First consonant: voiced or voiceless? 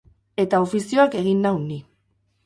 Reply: voiceless